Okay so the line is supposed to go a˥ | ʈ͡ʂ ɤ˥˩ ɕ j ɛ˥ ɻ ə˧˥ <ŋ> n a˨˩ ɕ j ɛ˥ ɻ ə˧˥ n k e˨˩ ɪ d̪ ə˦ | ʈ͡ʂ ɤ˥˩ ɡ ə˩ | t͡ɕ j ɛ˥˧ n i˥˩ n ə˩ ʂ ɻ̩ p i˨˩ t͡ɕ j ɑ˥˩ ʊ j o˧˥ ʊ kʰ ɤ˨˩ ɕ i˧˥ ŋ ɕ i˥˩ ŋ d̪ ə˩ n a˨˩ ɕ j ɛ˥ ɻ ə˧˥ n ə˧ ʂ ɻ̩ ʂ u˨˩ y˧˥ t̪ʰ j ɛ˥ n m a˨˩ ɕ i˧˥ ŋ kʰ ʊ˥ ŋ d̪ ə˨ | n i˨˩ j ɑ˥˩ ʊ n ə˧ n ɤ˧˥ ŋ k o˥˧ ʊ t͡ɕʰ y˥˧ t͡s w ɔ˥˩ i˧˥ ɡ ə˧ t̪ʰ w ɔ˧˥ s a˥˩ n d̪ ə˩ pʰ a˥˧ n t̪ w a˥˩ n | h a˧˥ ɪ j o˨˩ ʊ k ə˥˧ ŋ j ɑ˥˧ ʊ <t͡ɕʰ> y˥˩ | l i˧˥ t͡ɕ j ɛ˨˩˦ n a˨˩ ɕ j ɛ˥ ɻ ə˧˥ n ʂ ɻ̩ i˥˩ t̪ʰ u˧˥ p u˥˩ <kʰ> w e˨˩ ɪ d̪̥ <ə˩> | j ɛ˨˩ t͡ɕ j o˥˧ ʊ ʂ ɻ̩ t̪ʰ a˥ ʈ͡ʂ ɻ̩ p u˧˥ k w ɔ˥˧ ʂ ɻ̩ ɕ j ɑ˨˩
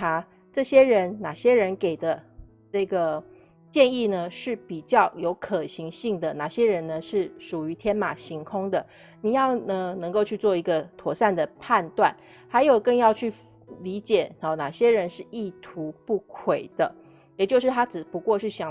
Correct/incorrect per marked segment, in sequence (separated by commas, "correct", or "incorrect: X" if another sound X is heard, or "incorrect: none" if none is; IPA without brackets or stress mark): incorrect: n, correct, correct, incorrect: ə˦